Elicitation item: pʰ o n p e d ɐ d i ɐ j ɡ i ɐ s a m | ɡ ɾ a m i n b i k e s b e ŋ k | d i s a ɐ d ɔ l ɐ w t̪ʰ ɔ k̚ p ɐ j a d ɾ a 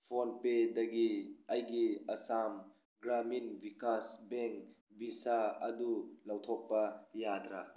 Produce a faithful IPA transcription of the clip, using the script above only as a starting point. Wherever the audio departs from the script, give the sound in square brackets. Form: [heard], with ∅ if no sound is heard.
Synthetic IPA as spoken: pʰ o n p e d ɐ [ɡ] i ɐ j ɡ i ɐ s a m | ɡ ɾ a m i n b i k [a] s b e ŋ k | [b] i s a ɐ d [u] l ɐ w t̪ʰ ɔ k̚ p ɐ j a d ɾ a